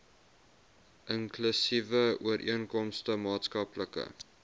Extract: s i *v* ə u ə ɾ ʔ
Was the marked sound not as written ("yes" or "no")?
no